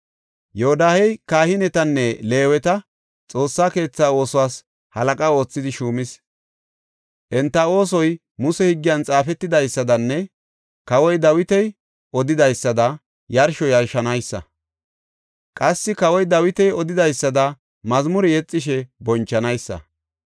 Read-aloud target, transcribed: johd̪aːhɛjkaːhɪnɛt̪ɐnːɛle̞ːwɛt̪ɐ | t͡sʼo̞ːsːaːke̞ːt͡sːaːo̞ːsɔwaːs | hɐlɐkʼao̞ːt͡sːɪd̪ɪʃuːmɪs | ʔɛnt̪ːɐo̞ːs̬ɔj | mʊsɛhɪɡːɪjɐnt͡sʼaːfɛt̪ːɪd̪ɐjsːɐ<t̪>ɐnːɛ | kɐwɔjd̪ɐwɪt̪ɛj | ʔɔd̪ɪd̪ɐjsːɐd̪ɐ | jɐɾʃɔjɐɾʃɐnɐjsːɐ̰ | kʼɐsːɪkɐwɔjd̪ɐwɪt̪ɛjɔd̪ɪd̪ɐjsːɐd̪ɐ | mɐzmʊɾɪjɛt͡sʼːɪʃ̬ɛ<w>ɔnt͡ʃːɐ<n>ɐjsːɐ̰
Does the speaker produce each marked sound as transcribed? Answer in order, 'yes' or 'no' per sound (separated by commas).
no, no, yes